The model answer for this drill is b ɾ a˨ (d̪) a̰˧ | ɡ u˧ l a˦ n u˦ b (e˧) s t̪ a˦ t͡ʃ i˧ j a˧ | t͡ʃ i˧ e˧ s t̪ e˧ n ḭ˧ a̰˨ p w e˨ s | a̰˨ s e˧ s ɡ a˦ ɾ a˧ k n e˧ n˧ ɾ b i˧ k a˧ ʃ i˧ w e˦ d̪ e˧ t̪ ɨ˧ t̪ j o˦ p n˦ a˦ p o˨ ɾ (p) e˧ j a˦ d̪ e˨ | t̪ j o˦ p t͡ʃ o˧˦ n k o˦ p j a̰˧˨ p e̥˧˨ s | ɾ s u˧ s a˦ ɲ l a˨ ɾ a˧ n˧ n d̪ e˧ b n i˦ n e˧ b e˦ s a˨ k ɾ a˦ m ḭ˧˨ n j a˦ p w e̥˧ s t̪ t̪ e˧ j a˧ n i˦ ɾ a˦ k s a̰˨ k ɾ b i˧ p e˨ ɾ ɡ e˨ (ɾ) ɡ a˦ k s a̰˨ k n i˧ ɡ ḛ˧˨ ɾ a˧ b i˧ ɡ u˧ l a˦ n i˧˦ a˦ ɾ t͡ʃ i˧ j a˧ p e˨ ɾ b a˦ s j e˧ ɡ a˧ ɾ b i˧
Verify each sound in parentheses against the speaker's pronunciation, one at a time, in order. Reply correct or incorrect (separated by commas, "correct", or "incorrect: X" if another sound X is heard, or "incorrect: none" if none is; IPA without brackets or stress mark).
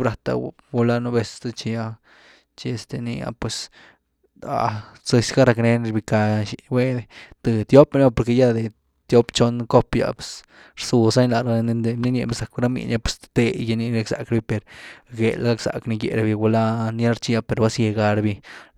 incorrect: t̪, correct, incorrect: k, incorrect: l